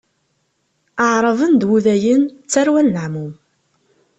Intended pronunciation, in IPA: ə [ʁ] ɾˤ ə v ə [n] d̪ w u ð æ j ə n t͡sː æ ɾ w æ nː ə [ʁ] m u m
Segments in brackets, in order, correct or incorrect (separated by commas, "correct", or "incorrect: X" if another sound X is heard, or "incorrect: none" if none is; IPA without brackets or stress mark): incorrect: ʕ, correct, incorrect: ʕ